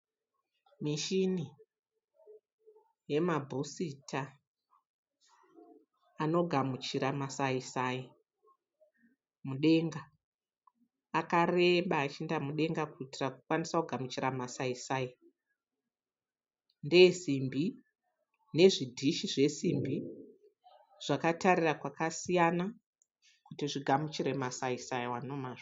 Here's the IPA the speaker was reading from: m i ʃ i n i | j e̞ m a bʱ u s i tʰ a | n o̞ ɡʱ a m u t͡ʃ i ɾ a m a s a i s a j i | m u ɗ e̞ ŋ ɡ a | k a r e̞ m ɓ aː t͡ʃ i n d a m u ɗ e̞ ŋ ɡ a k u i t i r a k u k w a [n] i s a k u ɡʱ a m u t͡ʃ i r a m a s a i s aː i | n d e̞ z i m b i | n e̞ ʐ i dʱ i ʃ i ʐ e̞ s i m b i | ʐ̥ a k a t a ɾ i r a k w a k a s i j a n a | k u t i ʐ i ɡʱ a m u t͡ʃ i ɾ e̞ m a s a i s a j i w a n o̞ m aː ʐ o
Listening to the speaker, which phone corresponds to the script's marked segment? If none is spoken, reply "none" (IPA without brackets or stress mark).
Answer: n